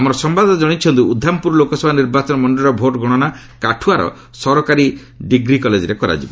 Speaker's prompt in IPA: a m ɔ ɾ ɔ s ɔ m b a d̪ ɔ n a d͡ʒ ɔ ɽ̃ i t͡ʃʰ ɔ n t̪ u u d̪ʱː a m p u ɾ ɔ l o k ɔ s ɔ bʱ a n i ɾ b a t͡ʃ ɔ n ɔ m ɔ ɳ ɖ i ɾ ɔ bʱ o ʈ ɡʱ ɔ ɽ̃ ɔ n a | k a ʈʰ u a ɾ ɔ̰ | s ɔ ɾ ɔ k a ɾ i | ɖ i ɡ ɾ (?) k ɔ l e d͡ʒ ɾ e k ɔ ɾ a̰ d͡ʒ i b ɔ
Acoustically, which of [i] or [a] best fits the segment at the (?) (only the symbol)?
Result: i